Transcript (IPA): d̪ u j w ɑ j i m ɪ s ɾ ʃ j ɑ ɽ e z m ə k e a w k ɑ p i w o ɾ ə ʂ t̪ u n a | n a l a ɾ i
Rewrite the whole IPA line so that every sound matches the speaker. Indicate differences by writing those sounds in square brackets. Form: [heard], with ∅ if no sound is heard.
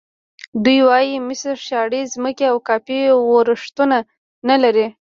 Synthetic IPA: d̪ u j w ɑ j i m ɪ s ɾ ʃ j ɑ ɽ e z m ə k e a w k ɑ p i w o ɾ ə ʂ t̪ u n a | n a l a ɾ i